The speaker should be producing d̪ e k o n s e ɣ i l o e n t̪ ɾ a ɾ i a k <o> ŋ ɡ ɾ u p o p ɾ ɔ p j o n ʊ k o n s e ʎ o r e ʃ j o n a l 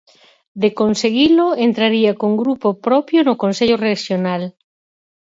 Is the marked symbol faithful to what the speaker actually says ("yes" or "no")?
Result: yes